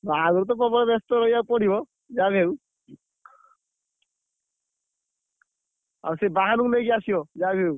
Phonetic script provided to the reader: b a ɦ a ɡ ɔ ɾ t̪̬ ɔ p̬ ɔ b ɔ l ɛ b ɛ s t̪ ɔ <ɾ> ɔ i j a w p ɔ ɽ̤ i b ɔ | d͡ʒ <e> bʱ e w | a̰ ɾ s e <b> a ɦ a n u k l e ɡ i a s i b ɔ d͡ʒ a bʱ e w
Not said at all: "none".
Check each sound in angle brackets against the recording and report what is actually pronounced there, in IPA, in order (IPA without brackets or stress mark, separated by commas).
ɾ, a, b